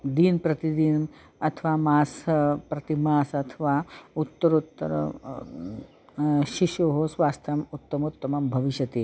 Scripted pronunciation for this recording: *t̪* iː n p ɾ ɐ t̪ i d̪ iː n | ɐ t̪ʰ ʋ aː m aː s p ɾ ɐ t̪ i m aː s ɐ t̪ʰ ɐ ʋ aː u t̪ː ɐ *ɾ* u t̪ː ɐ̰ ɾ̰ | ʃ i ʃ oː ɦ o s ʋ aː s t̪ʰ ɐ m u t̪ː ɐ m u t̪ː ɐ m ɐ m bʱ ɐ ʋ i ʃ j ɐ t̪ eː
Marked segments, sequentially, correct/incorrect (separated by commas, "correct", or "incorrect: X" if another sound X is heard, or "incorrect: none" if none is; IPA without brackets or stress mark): incorrect: d̪, correct